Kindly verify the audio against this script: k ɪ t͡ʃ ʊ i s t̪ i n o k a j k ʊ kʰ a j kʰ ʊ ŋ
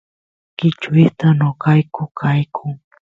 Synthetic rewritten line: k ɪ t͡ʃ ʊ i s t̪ a n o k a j k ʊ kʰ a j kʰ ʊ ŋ